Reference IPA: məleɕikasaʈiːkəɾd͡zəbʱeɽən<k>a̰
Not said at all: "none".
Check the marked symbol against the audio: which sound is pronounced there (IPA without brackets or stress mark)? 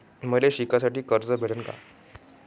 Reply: k